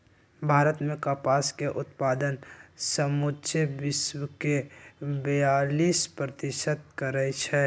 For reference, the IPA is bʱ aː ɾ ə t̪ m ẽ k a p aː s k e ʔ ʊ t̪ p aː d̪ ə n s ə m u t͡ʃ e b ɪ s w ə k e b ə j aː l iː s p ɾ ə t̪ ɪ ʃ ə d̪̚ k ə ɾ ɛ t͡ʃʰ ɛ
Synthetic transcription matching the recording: bʱ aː ɾ ə t̪ m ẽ k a p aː s k e ʔ ʊ t̪ p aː d̪ ə n s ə m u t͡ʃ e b ɪ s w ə k e b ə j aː l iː s p ɾ ə t̪ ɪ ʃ ə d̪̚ k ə ɾ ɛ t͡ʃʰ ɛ